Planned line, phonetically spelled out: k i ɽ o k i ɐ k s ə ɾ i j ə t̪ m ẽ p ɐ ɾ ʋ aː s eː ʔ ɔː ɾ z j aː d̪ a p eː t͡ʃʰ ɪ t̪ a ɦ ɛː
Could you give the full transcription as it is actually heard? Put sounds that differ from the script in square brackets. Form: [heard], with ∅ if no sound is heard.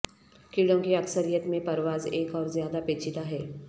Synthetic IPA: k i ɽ [õ] k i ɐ k s ə ɾ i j ə t̪ m ẽ p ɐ ɾ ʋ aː [z] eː [k] ɔː ɾ z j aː d̪ a p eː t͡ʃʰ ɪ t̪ a ɦ ɛː